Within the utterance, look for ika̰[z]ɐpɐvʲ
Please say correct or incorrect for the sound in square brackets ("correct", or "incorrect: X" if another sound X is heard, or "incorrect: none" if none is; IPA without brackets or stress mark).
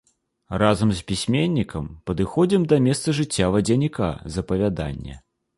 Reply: correct